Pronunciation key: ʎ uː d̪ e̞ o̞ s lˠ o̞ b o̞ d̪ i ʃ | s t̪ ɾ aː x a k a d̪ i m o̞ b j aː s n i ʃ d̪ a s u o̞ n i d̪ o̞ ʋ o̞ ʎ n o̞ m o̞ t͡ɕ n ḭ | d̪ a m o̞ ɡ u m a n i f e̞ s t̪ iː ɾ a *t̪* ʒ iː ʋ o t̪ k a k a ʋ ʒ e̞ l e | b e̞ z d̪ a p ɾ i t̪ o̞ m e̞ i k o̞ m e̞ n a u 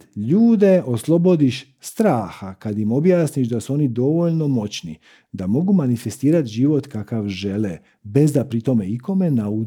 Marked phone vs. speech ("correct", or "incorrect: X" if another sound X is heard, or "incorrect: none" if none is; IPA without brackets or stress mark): correct